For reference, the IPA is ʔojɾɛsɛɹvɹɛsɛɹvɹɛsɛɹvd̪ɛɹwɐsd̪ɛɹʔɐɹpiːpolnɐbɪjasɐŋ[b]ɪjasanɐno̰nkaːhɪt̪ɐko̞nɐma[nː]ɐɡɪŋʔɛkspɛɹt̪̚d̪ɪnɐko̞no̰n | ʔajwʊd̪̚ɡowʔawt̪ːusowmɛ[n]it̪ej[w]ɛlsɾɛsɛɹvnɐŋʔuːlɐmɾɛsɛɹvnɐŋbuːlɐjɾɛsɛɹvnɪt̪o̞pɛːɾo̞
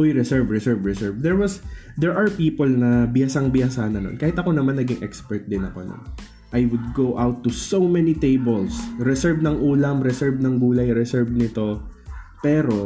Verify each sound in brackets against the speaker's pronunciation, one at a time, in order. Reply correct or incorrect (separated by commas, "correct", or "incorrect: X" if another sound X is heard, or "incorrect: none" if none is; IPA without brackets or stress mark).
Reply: correct, correct, correct, incorrect: b